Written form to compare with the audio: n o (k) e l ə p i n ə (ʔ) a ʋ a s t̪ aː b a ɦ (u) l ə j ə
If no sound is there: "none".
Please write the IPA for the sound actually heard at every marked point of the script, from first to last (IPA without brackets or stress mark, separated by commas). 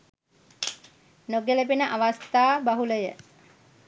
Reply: ɡ, ʔ, u